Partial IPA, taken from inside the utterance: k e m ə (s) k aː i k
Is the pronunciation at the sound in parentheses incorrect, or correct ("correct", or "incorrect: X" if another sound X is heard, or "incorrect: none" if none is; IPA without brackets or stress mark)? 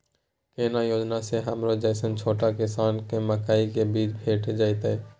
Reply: incorrect: none